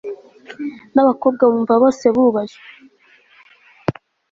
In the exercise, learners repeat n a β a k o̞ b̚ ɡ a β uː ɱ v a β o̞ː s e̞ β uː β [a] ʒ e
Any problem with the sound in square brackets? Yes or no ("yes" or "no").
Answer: no